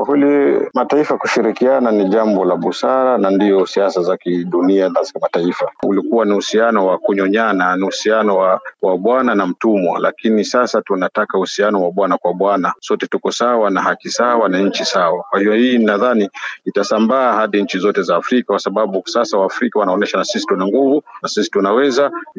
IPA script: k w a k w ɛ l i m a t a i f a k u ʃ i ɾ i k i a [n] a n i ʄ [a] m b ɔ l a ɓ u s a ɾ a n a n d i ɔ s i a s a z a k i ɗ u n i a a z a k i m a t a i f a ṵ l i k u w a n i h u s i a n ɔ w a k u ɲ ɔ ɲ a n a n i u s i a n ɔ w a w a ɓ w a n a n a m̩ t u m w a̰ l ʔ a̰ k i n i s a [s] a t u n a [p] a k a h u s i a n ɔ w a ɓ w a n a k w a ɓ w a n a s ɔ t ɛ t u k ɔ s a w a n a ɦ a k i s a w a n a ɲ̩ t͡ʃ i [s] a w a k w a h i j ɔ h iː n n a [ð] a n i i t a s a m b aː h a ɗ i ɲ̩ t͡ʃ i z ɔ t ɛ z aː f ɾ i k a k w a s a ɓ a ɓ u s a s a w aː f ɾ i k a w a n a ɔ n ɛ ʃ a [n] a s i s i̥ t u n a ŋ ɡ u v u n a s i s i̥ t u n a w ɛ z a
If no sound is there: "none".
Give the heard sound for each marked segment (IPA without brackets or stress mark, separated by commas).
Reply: n, a, s, t, s, ð, n